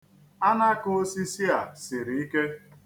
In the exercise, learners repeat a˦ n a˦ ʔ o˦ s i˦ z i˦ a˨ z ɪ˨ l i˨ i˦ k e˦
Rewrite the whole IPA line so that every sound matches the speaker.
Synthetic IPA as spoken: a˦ n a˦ k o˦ s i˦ s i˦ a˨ s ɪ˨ ɾ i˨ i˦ k e˦